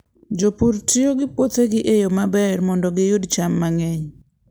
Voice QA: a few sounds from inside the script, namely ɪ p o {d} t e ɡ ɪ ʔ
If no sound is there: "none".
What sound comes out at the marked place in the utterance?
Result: none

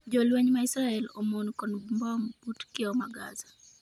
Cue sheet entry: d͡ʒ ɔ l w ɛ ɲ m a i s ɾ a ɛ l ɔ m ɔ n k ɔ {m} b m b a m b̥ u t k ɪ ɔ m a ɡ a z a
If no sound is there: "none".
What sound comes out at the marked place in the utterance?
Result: n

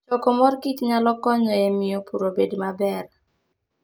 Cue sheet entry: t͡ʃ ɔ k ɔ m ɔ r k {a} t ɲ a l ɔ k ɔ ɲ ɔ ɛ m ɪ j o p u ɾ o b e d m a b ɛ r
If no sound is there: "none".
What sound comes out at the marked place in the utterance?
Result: i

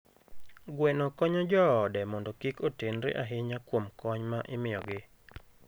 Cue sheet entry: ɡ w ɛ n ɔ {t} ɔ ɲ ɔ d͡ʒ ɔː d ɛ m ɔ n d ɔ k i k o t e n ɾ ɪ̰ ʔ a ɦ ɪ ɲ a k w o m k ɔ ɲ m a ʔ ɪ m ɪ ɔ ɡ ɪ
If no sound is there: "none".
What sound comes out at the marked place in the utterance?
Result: k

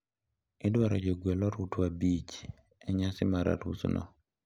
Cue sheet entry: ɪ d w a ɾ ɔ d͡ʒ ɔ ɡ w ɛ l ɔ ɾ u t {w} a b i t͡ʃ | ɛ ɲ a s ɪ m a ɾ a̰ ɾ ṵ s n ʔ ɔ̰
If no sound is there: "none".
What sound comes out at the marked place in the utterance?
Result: w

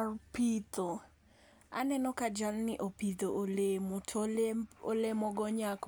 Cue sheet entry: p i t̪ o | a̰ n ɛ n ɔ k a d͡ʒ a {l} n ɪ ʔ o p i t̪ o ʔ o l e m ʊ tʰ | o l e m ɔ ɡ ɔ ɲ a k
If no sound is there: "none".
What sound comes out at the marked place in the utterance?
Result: l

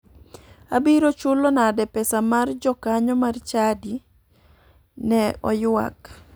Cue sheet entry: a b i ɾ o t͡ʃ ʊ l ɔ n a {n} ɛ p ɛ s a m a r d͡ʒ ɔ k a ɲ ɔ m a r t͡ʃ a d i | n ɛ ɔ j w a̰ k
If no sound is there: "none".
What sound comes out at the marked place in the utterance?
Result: d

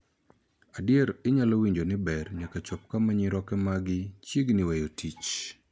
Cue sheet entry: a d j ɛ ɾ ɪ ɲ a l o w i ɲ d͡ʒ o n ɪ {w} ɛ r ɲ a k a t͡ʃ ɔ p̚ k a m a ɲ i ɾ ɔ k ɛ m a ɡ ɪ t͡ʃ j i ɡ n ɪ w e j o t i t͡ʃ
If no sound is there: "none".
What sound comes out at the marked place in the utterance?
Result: b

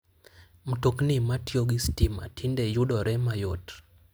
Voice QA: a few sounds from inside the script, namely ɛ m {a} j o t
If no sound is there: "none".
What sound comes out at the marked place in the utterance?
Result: a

